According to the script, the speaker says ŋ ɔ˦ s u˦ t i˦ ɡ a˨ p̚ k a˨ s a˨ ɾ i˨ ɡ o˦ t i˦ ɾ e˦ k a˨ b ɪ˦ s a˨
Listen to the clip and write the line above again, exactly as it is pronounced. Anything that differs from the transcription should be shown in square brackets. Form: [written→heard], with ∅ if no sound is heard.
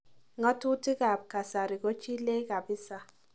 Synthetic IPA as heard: ŋ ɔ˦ [s→t] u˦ t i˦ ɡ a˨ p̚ k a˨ s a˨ ɾ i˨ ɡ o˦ [t→t͡ʃ] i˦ [ɾ→l] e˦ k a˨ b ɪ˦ s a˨